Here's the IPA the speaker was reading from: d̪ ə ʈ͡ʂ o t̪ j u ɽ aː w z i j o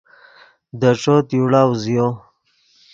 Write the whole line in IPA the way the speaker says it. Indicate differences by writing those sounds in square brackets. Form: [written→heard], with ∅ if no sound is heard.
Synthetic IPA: d̪ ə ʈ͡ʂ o t̪ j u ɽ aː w z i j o